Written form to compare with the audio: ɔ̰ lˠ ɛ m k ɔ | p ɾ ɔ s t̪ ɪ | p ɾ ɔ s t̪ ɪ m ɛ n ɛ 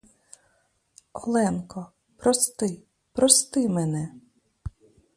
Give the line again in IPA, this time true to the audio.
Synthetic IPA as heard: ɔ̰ lˠ ɛ n k ɔ | p ɾ ɔ s t̪ ɪ | p ɾ ɔ s t̪ ɪ m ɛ n ɛ